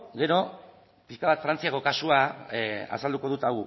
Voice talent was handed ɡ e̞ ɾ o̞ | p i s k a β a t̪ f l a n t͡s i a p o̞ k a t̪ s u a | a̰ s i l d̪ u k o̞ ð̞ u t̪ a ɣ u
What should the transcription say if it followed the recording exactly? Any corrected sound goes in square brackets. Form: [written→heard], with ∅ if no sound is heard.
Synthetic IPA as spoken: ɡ e̞ ɾ o̞ | p i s k a β a t̪ f [l→ɾ] a n t͡s i a [p→k] o̞ k a [t̪→∅] s u a | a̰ s [i→a] l d̪ u k o̞ ð̞ u t̪ a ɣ u